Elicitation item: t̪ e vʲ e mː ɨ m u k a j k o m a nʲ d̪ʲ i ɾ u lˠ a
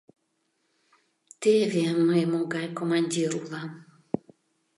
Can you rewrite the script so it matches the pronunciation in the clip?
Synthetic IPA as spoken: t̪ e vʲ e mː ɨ m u ɡ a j k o m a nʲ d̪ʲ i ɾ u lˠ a